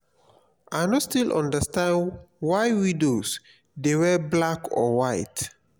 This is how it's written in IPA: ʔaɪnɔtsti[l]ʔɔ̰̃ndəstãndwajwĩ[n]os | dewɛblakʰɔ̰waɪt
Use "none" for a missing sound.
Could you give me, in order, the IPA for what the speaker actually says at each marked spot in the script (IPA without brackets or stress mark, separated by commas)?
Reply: l, d